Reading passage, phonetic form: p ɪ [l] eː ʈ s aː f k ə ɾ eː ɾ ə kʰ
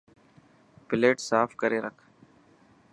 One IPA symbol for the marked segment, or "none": l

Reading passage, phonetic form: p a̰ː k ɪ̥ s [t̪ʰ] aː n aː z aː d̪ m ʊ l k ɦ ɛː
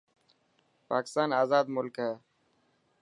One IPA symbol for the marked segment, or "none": t̪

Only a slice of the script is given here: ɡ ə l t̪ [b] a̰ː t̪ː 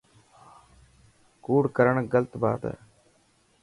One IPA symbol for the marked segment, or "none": b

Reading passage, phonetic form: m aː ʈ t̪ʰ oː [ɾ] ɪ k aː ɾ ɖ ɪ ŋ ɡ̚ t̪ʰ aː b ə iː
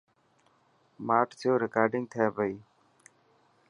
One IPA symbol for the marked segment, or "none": ɾ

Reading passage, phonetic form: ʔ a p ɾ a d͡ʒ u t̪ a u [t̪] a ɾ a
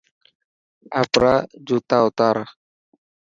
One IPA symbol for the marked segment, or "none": t̪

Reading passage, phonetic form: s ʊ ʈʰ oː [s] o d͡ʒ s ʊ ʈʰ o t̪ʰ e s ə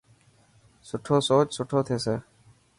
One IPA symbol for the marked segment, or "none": s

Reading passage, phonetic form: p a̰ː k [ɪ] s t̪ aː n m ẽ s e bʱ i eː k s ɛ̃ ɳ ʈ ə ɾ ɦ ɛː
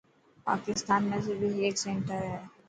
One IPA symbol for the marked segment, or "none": ɪ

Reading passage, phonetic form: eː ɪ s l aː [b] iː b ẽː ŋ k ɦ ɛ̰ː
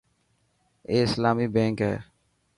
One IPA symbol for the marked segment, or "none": m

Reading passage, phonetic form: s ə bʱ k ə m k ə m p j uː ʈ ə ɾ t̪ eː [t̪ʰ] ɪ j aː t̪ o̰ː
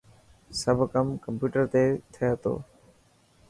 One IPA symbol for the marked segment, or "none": t̪ʰ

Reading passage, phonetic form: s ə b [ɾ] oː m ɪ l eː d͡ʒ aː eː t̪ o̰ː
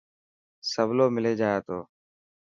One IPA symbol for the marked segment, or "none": l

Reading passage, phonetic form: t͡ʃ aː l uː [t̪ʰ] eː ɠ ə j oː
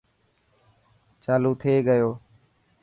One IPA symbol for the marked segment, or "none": t̪ʰ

